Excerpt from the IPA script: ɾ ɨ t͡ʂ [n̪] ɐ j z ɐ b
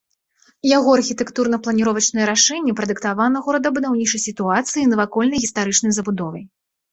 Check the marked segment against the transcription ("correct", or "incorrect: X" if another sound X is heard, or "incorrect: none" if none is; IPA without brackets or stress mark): correct